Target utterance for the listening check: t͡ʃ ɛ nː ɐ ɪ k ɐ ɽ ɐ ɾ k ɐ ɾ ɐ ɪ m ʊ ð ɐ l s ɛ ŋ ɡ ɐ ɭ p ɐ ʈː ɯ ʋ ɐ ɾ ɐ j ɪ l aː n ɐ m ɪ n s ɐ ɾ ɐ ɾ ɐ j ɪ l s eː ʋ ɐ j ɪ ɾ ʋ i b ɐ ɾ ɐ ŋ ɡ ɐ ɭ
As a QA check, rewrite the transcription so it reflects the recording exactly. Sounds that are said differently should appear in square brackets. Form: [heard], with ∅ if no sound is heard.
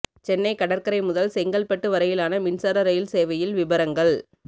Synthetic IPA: t͡ʃ ɛ nː ɐ ɪ k ɐ ɽ ɐ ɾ k ɐ ɾ ɐ ɪ m ʊ ð ɐ l s ɛ ŋ ɡ ɐ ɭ p ɐ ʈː ɯ ʋ ɐ ɾ ɐ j ɪ l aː n ɐ m ɪ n s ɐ ɾ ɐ ɾ ɐ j ɪ l s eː ʋ ɐ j ɪ [l] ʋ [ɪ] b ɐ ɾ ɐ ŋ ɡ ɐ ɭ